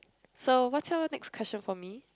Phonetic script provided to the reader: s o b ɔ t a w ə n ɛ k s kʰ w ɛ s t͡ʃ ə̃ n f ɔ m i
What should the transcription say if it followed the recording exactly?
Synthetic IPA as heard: s o w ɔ t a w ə n ɛ k s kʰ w ɛ s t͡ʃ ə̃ n f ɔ m i